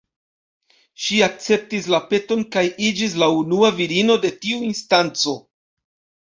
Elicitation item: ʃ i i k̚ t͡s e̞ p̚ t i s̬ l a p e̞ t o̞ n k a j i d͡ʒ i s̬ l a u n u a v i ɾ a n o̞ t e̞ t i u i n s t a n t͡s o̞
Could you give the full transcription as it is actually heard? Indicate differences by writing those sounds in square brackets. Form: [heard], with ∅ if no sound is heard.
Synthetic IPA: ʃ i [a] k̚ t͡s e̞ p̚ t i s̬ l a p e̞ t o̞ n k a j i d͡ʒ i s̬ l a u n u a v i ɾ [i] n o̞ [d] e̞ t i u i n s t a n t͡s o̞